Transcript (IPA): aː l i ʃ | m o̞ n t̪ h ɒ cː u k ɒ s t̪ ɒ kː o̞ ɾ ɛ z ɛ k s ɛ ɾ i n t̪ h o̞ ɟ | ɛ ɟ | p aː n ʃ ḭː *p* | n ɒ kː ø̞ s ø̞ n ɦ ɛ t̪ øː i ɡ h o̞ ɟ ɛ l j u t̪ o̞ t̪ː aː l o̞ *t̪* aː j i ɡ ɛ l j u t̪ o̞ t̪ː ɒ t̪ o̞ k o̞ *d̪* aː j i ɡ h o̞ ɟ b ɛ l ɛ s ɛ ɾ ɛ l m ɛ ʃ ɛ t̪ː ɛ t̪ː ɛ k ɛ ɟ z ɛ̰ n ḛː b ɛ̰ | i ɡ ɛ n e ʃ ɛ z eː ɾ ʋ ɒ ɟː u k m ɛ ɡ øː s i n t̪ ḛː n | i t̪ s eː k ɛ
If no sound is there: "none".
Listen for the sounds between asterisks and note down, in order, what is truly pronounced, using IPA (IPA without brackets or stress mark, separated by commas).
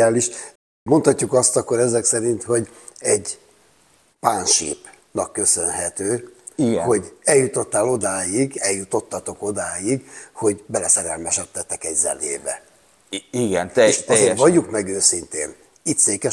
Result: p, d̪, d̪